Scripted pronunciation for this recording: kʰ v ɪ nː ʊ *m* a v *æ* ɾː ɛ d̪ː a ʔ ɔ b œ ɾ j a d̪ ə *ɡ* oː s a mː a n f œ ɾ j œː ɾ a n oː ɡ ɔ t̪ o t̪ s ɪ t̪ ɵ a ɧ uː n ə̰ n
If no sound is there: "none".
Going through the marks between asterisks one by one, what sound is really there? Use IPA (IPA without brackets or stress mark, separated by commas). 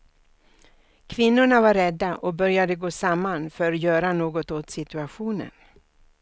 ɳ, a, ɡ